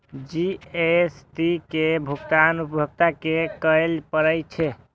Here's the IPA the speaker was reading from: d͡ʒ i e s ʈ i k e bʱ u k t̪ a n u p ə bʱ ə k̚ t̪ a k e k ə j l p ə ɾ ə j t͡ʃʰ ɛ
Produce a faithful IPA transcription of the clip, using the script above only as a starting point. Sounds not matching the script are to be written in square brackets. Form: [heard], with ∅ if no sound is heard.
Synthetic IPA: d͡ʒ i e s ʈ i k e bʱ u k t̪ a n u p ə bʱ ə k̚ t̪ a k e k ə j l p ə ɾ ə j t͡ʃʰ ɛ